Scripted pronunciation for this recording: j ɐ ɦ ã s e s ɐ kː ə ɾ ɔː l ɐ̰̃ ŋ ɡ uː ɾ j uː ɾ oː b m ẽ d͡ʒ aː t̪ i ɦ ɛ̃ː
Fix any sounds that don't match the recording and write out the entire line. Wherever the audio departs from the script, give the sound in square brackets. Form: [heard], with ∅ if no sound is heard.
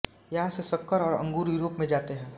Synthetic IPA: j ɐ ɦ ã s e s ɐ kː ə ɾ ɔː [ɾ] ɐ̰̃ ŋ ɡ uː ɾ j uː ɾ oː [p] m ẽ d͡ʒ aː t̪ [e] ɦ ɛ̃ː